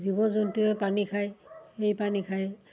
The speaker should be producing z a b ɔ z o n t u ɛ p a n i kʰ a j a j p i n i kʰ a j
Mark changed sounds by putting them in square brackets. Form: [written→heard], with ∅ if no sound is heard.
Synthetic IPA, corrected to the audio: z [a→i] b ɔ z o n t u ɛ p a n i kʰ a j [a→e] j p [i→a] n i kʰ a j